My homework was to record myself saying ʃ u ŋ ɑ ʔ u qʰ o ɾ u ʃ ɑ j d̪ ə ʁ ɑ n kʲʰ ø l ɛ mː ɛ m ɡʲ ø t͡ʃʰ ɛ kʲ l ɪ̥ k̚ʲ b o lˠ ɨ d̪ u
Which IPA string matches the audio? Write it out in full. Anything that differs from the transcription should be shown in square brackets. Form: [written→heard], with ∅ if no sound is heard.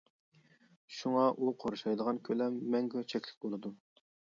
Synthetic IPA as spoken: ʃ u ŋ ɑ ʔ u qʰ o ɾ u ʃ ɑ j d̪ ə ʁ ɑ n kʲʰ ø l ɛ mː ɛ [m→ŋ] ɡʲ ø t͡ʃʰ ɛ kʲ l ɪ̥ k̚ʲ b o lˠ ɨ d̪ u